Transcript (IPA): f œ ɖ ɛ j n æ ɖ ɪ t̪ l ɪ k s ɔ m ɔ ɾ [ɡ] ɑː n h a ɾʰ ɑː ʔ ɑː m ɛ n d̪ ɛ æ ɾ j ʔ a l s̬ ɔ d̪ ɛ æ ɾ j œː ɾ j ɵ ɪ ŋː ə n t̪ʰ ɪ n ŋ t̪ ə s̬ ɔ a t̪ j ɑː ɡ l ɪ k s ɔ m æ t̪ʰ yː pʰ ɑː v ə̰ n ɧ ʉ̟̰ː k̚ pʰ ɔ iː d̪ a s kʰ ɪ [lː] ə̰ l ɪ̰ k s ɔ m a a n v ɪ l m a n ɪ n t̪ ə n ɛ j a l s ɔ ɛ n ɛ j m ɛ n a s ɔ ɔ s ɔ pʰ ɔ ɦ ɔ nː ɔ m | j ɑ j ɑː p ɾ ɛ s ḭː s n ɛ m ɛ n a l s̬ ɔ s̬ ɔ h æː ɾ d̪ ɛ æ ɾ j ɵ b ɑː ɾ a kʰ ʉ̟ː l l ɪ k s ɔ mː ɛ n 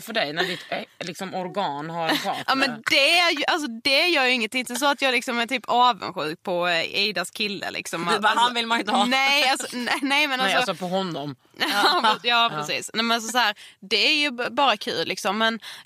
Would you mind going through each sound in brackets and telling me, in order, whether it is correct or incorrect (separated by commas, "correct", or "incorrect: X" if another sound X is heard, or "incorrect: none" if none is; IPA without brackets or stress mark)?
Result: correct, correct